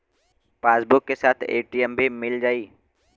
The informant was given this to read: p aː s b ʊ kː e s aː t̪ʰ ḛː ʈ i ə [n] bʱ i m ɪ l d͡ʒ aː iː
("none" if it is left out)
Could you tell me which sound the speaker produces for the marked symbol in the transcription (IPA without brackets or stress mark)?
m